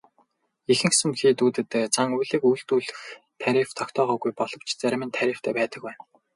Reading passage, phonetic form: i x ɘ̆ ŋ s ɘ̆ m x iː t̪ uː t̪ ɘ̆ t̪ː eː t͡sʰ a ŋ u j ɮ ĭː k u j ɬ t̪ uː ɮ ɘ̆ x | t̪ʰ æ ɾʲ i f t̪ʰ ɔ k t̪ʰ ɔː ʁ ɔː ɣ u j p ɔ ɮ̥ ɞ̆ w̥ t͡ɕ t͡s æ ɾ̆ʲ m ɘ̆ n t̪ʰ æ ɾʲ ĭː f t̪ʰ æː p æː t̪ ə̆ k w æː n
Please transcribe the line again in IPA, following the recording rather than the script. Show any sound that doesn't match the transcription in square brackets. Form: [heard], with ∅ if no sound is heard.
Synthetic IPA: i x ɘ̆ ŋ s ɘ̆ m x iː t̪ uː t̪ ɘ̆ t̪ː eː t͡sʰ a ŋ u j ɮ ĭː k u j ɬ t̪ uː ɮ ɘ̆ x | t̪ʰ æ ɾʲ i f t̪ʰ ɔ k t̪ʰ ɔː ʁ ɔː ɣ u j p ɔ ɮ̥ ɞ̆ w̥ t͡ɕ t͡s æ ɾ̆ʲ m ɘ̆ n t̪ʰ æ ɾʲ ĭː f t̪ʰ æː p æː t̪ ə̆ k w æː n